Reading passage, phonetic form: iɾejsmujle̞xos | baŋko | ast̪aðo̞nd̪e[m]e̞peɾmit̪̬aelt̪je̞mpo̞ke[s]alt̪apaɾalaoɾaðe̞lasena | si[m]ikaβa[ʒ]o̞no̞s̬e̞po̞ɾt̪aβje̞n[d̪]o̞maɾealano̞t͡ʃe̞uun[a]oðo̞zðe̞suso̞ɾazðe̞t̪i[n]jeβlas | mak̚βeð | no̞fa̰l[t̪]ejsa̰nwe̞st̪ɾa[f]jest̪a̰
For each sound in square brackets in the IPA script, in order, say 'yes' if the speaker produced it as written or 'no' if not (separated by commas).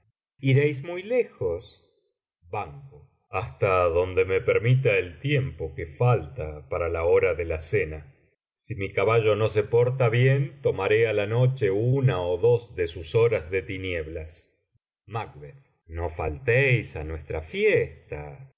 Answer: yes, no, yes, yes, no, yes, yes, yes, yes